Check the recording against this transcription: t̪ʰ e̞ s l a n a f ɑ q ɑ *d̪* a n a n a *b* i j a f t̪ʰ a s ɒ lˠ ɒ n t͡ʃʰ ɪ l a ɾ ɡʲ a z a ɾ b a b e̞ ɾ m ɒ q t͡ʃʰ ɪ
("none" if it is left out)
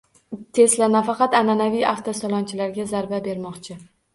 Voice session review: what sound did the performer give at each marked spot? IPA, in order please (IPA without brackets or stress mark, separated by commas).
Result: t̪, v